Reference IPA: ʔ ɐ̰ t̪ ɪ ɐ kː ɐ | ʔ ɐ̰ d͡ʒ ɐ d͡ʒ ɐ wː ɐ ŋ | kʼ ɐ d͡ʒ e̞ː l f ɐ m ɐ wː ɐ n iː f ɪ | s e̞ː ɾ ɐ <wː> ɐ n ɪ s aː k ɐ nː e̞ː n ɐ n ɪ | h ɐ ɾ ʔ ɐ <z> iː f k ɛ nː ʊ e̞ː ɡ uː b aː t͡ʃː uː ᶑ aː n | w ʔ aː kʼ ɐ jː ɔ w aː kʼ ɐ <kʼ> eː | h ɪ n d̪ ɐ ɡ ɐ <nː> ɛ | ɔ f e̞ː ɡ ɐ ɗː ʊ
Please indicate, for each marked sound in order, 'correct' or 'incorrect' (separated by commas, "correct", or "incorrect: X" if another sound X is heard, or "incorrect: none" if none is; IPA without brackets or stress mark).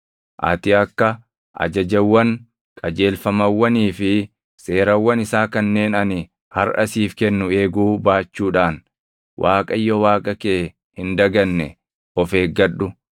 correct, incorrect: s, incorrect: k, correct